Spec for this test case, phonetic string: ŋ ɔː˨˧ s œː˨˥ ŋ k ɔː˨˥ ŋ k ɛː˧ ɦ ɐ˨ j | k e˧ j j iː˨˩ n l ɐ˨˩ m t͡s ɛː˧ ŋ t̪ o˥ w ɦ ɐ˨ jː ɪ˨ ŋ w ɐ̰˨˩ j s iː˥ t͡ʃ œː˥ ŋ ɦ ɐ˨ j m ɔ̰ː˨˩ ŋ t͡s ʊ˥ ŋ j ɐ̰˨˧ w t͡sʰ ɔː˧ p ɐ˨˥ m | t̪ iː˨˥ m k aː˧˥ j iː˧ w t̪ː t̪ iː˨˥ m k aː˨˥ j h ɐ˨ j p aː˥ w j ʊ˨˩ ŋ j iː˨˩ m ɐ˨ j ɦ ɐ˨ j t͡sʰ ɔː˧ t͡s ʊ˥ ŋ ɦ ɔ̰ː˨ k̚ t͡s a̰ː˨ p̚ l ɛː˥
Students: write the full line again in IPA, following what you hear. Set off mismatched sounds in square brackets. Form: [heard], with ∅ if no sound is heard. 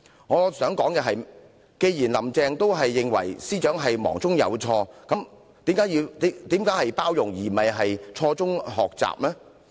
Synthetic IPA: ŋ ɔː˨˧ s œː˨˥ ŋ k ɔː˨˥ ŋ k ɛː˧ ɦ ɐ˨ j | k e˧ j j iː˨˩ n l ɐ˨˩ m t͡s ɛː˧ ŋ t̪ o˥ w ɦ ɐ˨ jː ɪ˨ ŋ w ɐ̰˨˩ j s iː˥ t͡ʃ [œː˨˥] ŋ ɦ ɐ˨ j m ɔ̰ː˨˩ ŋ t͡s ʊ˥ ŋ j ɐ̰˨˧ w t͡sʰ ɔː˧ [k] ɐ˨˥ m | t̪ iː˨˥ m k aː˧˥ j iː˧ w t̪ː t̪ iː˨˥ m k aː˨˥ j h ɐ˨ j p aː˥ w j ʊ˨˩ ŋ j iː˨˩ m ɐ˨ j ɦ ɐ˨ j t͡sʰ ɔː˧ t͡s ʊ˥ ŋ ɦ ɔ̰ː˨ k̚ t͡s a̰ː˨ p̚ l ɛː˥